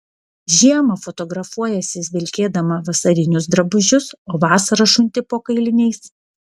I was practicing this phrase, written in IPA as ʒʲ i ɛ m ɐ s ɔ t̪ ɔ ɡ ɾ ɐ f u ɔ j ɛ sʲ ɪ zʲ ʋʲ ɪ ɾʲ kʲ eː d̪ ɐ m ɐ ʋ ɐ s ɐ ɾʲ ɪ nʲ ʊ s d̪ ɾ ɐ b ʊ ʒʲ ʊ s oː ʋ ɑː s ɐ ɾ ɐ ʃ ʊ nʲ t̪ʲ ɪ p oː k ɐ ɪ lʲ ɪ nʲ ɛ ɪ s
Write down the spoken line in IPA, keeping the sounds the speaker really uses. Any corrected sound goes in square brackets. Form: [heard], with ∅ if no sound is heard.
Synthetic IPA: ʒʲ i ɛ m ɐ [f] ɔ t̪ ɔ ɡ ɾ ɐ f u ɔ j ɛ sʲ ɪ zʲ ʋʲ ɪ [lʲ] kʲ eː d̪ ɐ m ɐ ʋ ɐ s ɐ ɾʲ ɪ nʲ ʊ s d̪ ɾ ɐ b ʊ ʒʲ ʊ s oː ʋ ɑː s ɐ ɾ ɐ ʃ ʊ nʲ t̪ʲ ɪ p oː k ɐ ɪ lʲ ɪ nʲ ɛ ɪ s

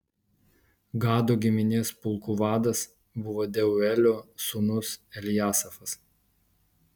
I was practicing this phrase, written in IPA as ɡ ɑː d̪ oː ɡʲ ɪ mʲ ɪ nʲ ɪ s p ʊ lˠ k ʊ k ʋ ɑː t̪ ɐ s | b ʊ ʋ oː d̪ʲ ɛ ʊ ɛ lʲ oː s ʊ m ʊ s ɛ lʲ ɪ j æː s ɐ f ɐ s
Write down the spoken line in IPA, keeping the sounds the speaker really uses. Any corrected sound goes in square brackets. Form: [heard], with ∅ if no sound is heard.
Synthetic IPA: ɡ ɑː d̪ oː ɡʲ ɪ mʲ ɪ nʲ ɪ s p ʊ lˠ k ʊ [∅] ʋ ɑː [d̪] ɐ s | b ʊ ʋ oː d̪ʲ ɛ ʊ ɛ lʲ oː s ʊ [n] ʊ s ɛ lʲ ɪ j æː s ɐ f ɐ s

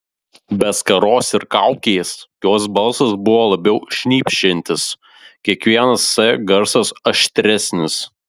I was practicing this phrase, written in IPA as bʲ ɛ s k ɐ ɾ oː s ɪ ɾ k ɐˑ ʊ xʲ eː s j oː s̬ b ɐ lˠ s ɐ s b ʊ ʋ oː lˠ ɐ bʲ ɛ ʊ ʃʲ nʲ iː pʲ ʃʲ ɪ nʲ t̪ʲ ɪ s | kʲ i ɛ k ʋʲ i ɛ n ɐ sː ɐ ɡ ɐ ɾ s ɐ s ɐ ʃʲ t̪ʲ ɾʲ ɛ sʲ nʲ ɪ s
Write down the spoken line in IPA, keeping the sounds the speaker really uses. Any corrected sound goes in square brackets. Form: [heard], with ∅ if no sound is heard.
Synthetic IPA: bʲ ɛ s k ɐ ɾ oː s ɪ ɾ k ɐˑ ʊ [kʲ] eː s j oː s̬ b ɐ lˠ s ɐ s b ʊ ʋ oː lˠ ɐ bʲ ɛ ʊ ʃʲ nʲ iː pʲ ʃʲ ɪ nʲ t̪ʲ ɪ s | kʲ i ɛ k ʋʲ i ɛ n ɐ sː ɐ ɡ ɐ ɾ s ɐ s ɐ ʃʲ t̪ʲ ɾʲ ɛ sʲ nʲ ɪ s

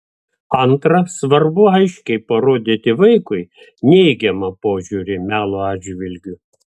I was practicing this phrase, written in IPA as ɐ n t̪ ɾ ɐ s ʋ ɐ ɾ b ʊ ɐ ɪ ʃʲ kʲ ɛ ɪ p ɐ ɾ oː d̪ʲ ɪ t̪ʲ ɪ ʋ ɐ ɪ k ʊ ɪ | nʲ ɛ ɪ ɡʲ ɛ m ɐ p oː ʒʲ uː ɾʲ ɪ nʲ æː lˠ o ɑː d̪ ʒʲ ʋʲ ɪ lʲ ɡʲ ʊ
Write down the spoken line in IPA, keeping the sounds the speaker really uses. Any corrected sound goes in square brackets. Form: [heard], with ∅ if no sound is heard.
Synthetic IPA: ɐ n t̪ ɾ ɐ s ʋ ɐ ɾ b ʊ ɐ ɪ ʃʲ kʲ ɛ ɪ p ɐ ɾ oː d̪ʲ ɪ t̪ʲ ɪ ʋ ɐ ɪ k ʊ ɪ | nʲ ɛ ɪ ɡʲ ɛ m ɐ p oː ʒʲ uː ɾʲ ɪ [mʲ] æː lˠ o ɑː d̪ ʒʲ ʋʲ ɪ lʲ ɡʲ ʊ

